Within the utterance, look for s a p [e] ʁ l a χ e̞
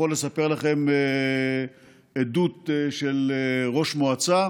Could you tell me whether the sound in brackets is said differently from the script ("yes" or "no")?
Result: no